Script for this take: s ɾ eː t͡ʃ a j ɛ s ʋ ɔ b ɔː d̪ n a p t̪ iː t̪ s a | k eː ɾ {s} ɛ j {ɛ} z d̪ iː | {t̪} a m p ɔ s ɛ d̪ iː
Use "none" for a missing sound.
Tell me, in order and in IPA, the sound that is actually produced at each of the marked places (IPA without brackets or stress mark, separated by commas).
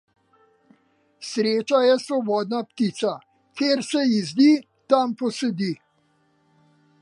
s, i, t̪